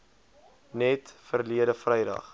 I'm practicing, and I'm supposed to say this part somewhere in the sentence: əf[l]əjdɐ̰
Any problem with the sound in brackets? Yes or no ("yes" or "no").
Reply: yes